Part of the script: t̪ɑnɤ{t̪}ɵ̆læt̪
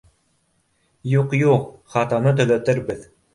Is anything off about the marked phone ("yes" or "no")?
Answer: no